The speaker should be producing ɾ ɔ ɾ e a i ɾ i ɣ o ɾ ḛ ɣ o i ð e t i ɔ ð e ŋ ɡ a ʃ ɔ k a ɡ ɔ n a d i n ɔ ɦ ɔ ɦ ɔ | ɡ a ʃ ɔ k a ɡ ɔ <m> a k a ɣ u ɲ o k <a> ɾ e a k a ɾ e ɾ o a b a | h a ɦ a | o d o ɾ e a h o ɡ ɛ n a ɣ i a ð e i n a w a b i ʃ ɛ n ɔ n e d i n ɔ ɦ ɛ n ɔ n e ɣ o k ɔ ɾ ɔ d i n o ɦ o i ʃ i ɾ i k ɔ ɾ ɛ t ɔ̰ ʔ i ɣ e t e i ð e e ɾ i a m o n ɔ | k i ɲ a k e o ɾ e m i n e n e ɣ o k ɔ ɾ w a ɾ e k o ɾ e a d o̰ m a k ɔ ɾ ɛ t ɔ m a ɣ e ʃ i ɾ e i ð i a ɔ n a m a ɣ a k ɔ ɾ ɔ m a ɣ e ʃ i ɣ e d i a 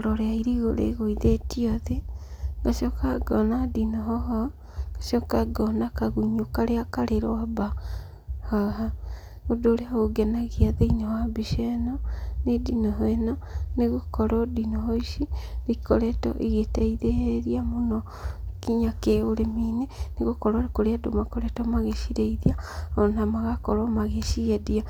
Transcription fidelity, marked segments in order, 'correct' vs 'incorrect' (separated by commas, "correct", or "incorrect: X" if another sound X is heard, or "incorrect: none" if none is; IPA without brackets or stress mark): incorrect: n, correct